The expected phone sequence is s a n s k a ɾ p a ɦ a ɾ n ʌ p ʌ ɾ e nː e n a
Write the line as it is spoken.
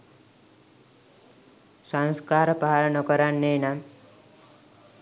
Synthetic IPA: s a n s k a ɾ p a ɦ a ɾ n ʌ k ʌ ɾ a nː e n a